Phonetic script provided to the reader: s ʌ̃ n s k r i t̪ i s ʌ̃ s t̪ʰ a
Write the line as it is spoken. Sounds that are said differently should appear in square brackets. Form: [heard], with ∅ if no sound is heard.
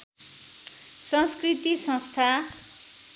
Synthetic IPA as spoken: s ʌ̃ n s k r i t̪ i s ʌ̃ s t̪ʰ a